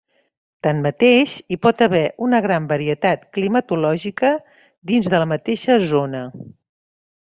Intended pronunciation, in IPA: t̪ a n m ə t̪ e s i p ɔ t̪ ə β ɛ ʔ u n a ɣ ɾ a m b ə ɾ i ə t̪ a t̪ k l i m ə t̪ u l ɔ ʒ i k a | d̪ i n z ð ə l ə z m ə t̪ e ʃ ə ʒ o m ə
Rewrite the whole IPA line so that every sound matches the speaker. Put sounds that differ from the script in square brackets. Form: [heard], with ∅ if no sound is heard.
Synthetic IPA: t̪ a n m ə t̪ e [ʃ] i p ɔ t̪ ə β ɛ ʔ u n [ə] ɣ ɾ a m b ə ɾ i ə t̪ a t̪ k l i m ə t̪ u l ɔ ʒ i k [ə] | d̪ i n z ð ə l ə [∅] m ə t̪ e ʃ ə [z] o [n] ə